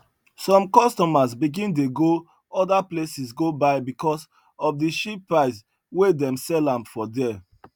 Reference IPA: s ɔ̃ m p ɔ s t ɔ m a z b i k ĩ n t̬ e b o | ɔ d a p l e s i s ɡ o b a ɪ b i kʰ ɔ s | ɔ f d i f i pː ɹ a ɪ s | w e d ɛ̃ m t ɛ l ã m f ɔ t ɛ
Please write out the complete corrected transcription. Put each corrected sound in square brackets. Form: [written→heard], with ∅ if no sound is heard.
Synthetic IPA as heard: s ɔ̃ m [p→k] ɔ s t ɔ m a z b i [k→ɡ] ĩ n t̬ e [b→ɡ] o | ɔ d a p l e s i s ɡ o b a ɪ b i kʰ ɔ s | ɔ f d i [f→ʃ] i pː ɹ a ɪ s | w e d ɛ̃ m [t→s] ɛ l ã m f ɔ [t→d] ɛ